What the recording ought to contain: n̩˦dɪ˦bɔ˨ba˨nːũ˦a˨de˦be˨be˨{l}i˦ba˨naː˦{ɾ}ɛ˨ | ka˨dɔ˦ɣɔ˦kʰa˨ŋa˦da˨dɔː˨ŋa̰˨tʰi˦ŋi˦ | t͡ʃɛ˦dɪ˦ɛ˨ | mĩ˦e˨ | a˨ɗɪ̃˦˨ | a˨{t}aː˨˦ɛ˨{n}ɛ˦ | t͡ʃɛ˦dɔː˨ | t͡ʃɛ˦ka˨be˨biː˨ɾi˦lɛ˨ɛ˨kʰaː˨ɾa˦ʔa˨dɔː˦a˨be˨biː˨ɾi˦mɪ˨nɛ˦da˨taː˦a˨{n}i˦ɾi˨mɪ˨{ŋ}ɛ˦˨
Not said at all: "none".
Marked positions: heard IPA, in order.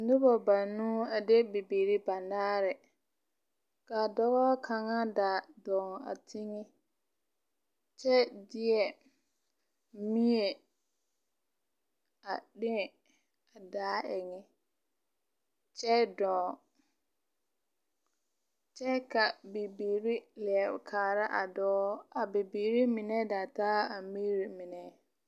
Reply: ɾ, ɾ, d, ŋ, m, n

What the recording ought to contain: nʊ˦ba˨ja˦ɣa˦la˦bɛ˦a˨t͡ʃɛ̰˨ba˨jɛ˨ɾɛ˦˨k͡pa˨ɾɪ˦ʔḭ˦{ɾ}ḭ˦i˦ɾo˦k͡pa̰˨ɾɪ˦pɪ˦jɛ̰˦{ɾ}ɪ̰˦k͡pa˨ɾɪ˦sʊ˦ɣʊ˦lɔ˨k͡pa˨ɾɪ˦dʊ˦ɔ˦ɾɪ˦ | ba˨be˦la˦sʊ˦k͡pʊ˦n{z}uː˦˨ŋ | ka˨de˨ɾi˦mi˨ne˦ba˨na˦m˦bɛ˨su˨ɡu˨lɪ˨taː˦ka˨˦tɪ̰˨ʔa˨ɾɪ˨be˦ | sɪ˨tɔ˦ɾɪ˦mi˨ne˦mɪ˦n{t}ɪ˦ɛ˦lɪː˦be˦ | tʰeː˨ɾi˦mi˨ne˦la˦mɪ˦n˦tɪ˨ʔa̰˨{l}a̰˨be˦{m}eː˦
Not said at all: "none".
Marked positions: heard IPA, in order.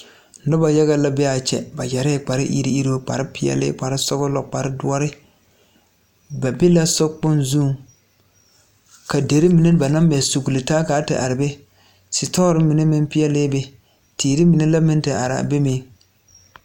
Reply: ɾ, l, z, p, ɾ, m

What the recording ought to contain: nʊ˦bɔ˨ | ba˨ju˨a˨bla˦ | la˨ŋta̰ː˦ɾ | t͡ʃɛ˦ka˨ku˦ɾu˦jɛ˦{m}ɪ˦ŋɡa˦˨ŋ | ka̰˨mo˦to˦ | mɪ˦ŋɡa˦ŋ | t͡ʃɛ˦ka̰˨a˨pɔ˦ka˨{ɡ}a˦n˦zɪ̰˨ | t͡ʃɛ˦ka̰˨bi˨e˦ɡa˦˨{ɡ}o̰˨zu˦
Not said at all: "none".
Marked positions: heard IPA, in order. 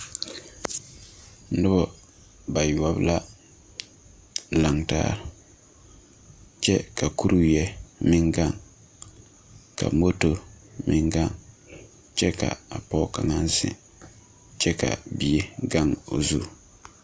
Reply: m, ŋ, ŋ

